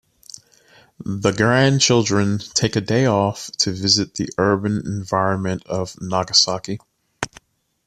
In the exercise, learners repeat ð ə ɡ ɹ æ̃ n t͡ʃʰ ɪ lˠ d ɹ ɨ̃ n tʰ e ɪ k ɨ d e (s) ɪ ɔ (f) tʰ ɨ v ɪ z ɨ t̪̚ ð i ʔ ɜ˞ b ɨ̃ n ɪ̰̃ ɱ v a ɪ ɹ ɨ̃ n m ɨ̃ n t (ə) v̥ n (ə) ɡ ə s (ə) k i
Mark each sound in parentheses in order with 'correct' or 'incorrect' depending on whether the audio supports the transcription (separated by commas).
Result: incorrect, correct, incorrect, incorrect, incorrect